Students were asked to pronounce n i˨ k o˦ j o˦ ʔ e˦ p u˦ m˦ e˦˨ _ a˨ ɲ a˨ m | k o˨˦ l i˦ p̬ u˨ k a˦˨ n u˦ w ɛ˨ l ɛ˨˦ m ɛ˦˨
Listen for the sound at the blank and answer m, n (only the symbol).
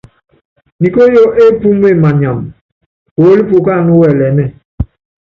m